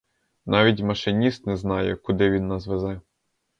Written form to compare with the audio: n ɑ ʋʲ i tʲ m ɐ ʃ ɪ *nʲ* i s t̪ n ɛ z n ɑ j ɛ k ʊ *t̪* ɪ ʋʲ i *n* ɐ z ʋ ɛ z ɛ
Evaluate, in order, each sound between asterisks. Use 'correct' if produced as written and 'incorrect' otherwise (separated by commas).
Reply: correct, incorrect, incorrect